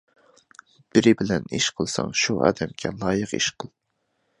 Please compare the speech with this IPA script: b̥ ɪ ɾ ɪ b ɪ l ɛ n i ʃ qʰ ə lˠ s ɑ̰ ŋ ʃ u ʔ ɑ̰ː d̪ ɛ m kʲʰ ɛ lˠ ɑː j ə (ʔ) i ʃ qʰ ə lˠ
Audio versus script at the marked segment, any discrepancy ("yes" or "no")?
yes